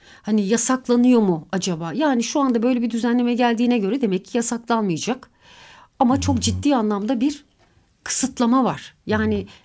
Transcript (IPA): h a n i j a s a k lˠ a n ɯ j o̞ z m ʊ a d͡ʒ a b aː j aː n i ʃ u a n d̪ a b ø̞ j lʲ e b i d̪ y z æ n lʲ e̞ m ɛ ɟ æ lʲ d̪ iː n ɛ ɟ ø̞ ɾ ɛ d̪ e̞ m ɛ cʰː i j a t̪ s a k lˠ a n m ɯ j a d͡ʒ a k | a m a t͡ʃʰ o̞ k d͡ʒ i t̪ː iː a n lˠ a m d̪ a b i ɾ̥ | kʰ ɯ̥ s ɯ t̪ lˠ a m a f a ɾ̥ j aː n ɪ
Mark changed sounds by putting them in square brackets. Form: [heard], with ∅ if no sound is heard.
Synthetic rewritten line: h a n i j a s a k lˠ a n ɯ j o̞ [∅] m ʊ a d͡ʒ a b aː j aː n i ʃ u a n d̪ a b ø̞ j lʲ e b i d̪ y z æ n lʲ e̞ m ɛ ɟ æ lʲ d̪ iː n ɛ ɟ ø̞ ɾ ɛ d̪ e̞ m ɛ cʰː i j a [∅] s a k lˠ a n m ɯ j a d͡ʒ a k | a m a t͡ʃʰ o̞ k d͡ʒ i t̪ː iː a n lˠ a m d̪ a b i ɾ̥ | kʰ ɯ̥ s ɯ t̪ lˠ a m a [v] a ɾ̥ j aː n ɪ